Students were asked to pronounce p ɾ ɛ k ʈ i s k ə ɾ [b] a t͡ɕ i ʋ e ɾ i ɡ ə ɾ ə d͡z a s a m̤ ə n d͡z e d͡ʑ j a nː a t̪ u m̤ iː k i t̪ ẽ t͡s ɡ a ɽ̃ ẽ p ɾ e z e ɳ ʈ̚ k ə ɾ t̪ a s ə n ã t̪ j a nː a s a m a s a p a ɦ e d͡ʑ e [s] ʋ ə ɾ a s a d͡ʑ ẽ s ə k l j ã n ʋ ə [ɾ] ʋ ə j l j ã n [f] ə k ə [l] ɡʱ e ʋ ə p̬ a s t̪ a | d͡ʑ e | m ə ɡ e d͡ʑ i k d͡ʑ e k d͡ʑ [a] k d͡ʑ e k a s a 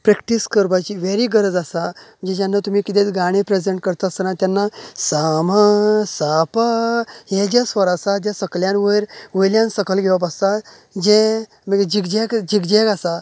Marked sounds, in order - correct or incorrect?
correct, correct, correct, incorrect: s, correct, incorrect: i

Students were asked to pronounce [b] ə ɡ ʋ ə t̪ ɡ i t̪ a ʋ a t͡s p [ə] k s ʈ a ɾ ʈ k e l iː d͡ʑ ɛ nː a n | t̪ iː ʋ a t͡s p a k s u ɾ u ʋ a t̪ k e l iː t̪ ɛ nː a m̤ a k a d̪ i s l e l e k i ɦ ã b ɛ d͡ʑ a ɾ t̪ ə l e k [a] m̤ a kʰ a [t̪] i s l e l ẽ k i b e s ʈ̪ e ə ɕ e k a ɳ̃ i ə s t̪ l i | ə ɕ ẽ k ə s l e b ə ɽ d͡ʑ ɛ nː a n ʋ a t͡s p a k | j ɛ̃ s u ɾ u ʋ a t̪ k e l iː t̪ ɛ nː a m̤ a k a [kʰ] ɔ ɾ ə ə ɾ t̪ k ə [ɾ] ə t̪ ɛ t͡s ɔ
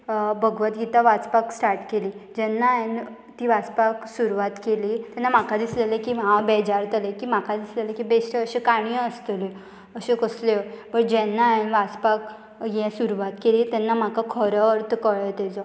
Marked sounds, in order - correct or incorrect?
correct, incorrect: a, incorrect: i, incorrect: d̪, correct, incorrect: ɭ

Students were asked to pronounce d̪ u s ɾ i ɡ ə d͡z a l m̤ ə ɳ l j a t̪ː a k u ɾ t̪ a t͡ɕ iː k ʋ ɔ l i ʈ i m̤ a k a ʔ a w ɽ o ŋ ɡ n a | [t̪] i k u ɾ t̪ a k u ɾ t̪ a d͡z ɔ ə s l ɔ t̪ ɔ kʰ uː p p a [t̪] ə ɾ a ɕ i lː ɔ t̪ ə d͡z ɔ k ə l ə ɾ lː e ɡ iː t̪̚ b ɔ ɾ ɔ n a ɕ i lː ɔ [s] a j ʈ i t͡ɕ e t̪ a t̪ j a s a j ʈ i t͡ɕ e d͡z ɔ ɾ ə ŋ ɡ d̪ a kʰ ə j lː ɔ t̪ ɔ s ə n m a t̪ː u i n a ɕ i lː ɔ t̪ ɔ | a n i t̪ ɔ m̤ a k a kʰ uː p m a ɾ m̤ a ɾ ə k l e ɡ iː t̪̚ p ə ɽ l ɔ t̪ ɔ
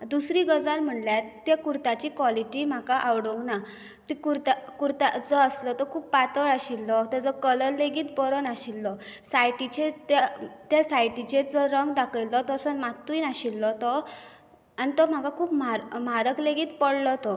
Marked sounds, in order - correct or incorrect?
correct, correct, correct

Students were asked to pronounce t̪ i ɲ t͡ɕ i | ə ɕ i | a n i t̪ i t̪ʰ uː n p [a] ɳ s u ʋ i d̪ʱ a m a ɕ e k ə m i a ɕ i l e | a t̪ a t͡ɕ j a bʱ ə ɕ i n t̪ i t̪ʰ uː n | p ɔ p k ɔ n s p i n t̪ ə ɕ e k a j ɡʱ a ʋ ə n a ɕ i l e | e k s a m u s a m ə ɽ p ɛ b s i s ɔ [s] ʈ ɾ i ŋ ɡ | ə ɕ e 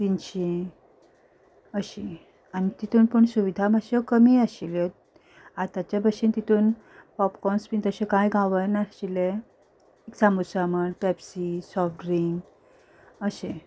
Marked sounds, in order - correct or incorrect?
incorrect: ə, incorrect: f

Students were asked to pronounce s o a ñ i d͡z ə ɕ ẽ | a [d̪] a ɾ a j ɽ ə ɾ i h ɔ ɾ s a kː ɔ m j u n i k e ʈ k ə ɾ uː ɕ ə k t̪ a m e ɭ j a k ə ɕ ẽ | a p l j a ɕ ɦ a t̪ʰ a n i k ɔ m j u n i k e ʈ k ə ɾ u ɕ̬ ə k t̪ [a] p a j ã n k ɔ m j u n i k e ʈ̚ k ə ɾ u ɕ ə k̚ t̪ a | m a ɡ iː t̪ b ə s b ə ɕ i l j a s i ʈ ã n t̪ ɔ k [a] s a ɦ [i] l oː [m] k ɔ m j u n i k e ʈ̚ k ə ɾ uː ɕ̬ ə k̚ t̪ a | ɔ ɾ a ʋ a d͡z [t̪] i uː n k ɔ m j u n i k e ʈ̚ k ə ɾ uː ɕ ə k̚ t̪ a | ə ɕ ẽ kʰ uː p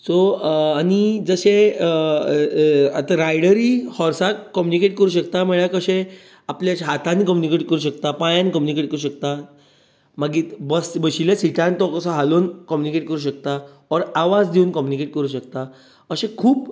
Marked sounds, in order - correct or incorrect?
incorrect: t̪, correct, incorrect: ə, incorrect: a, incorrect: n, incorrect: d̪

